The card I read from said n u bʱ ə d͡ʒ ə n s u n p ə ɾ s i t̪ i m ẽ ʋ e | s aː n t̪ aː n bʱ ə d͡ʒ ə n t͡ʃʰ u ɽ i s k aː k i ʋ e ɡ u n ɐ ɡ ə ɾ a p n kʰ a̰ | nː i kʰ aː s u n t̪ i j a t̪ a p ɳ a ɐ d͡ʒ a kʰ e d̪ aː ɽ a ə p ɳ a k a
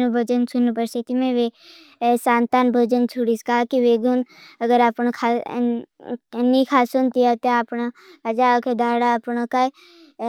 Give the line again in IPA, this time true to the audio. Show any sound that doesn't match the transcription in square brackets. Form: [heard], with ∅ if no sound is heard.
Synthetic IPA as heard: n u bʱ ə d͡ʒ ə n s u n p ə ɾ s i t̪ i m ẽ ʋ e | s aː n t̪ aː n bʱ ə d͡ʒ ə n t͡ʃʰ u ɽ i s k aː k i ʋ e ɡ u n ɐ ɡ ə ɾ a p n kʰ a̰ | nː i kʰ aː s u n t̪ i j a t̪ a p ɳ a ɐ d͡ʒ a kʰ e d̪ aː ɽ a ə p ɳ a k a